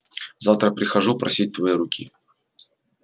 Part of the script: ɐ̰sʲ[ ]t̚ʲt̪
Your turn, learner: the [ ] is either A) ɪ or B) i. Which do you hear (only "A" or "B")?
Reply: B